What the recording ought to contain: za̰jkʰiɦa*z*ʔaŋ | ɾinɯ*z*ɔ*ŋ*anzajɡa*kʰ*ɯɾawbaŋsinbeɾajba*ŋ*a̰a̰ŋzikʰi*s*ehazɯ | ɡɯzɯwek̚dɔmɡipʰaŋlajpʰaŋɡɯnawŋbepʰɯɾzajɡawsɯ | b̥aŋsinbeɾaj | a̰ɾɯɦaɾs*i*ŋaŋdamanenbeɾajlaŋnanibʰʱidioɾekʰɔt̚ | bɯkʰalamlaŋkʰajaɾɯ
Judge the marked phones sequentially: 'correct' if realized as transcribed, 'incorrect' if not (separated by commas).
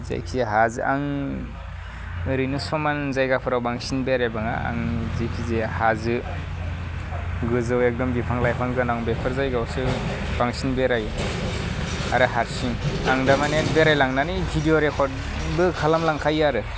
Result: correct, incorrect, incorrect, incorrect, correct, incorrect, correct